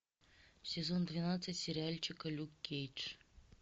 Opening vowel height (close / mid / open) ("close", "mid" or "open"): close